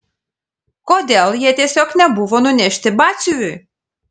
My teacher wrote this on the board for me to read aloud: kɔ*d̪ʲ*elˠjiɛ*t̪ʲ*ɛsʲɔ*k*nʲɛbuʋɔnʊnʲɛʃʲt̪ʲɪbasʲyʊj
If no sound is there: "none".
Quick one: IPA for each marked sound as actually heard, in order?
d̪ʲ, t̪ʲ, k

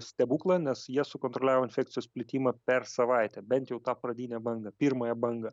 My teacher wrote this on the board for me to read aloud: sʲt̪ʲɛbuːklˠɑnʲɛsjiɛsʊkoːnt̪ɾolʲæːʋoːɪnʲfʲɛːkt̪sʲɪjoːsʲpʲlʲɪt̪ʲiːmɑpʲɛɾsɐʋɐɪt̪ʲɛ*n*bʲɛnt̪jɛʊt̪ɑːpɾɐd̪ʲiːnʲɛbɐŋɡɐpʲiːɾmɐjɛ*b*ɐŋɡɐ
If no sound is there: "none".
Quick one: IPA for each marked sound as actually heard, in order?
none, b

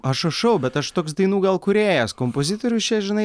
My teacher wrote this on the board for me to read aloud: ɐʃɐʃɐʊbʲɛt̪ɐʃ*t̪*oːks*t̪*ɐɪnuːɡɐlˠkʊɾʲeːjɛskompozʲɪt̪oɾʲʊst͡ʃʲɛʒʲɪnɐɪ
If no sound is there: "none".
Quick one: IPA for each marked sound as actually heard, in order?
t̪, d̪

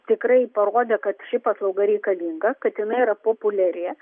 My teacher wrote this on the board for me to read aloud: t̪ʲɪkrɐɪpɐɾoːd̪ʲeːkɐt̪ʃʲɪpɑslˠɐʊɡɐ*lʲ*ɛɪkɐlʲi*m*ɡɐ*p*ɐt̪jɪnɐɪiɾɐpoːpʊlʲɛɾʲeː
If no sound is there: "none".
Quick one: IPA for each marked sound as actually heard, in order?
ɾʲ, ŋ, k

